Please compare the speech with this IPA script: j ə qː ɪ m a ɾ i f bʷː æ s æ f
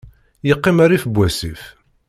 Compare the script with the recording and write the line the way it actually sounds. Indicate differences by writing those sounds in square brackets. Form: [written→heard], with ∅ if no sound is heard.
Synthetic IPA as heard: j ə qː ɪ m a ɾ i f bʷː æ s [æ→i] f